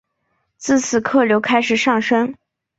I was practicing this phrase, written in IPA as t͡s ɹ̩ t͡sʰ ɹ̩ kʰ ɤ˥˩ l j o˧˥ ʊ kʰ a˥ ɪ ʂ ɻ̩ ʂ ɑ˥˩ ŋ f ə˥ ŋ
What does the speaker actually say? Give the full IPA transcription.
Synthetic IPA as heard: t͡s ɹ̩ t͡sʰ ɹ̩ kʰ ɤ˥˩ l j o˧˥ ʊ kʰ a˥ ɪ ʂ ɻ̩ ʂ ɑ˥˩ ŋ ʂ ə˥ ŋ